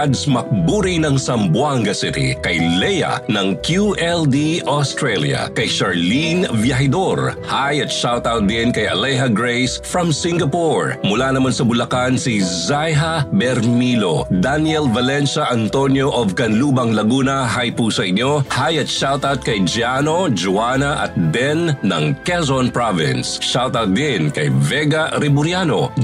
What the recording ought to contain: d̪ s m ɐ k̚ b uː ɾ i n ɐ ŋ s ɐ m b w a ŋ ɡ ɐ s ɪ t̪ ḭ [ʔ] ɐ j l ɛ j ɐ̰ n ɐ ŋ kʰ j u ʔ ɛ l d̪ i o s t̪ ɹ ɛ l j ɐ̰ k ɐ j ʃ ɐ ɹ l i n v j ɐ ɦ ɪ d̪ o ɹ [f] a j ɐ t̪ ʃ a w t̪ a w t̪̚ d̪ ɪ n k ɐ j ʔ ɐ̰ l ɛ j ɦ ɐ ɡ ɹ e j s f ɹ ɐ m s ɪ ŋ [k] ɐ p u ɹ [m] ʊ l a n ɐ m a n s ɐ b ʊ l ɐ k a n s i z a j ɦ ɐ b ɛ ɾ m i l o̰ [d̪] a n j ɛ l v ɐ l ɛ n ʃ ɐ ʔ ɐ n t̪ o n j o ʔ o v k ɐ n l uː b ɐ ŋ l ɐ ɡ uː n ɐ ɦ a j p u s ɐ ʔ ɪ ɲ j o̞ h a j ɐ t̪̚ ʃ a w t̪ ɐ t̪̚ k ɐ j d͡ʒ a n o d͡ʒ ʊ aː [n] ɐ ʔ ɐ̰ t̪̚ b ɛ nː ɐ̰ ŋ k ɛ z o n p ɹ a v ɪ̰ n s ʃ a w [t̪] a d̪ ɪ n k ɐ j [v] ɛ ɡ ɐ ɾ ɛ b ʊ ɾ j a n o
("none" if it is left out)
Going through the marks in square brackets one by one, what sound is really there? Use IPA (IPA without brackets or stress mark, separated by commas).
k, h, ɡ, m, d̪, n, t̪, v